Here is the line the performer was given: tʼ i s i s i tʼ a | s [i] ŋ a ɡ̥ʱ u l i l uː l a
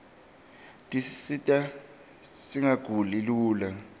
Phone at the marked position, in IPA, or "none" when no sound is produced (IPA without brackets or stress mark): i